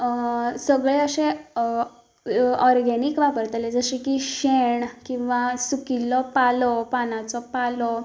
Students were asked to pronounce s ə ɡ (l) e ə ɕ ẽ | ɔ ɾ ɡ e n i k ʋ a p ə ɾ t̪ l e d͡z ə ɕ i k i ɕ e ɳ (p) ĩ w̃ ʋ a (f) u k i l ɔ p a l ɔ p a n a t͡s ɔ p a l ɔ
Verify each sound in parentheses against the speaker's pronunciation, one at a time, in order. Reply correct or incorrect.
incorrect, incorrect, incorrect

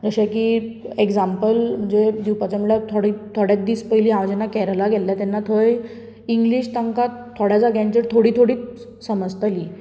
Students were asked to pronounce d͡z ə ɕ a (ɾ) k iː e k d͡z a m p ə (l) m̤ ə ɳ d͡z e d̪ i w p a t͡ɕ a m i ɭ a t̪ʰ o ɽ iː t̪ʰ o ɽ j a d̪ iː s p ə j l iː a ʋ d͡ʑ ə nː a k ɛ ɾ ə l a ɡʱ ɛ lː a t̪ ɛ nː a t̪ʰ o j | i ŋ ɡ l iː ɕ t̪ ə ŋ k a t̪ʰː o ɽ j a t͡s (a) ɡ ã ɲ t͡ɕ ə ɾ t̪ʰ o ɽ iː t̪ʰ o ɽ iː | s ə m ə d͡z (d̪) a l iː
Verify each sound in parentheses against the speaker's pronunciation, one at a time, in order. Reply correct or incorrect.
incorrect, correct, correct, incorrect

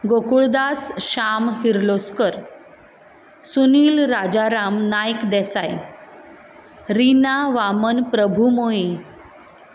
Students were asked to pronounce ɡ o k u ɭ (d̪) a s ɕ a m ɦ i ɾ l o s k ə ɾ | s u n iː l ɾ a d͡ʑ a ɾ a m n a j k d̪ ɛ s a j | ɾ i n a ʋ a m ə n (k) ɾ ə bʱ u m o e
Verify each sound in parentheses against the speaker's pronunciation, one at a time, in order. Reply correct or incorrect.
correct, incorrect

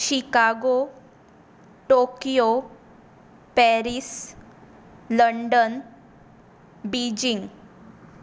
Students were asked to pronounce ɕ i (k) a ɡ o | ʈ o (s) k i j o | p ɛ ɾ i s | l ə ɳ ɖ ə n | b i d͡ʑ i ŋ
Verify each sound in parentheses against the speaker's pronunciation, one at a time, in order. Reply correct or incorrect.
correct, incorrect

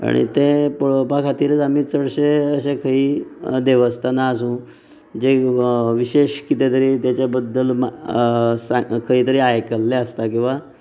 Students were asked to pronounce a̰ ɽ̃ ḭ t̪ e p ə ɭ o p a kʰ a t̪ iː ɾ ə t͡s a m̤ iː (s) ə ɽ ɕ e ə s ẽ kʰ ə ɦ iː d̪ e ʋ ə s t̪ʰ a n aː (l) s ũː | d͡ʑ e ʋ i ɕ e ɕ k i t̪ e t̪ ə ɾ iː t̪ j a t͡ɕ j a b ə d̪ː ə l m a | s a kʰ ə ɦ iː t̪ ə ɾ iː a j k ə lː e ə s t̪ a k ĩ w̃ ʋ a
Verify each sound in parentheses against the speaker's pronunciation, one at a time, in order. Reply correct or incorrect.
incorrect, incorrect

